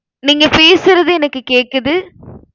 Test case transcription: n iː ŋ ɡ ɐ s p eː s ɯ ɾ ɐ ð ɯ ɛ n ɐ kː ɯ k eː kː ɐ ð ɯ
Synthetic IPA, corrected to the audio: n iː ŋ ɡ ɐ p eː s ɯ ɾ ɐ ð ɯ ɛ n ɐ kː ɯ k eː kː ɐ ð ɯ